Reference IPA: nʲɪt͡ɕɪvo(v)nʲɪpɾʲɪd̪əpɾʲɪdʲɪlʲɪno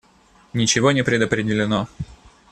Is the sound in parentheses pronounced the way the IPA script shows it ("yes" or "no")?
no